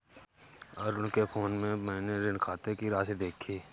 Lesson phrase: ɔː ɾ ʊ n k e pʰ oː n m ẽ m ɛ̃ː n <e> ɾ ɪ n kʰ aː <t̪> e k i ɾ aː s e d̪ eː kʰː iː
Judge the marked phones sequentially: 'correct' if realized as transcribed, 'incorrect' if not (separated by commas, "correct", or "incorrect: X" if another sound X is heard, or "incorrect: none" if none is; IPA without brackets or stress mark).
correct, correct